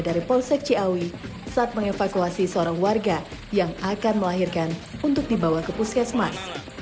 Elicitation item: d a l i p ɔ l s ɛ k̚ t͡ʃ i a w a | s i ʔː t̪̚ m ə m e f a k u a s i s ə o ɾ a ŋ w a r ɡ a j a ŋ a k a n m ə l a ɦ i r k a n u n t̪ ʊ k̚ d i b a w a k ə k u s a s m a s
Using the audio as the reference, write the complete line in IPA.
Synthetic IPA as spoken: d a ɾ i p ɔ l s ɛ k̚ t͡ʃ i a w i | s a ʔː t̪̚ m ə ŋ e f a k u a s i s ə o ɾ a ŋ w a r ɡ a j a ŋ a k a n m ə l a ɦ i r k a n u n t̪ ʊ k̚ d i b a w a k ə p u s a s m a s